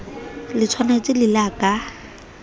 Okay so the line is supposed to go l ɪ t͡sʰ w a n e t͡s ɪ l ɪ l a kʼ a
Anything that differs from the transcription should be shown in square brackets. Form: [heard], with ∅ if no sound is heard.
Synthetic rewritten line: l ɪ t͡sʰ w a n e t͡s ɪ l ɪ l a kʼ a